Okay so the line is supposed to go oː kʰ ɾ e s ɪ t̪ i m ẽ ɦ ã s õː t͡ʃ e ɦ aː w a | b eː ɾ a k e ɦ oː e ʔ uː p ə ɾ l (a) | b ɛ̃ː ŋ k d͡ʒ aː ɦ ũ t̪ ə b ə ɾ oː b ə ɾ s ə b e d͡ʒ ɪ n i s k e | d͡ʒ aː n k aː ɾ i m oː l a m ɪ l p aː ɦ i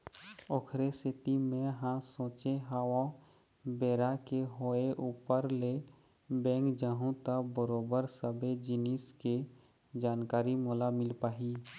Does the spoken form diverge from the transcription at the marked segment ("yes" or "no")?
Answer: yes